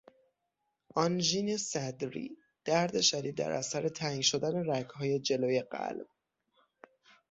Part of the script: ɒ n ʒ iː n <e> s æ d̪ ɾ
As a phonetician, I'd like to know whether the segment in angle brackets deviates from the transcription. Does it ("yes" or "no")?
no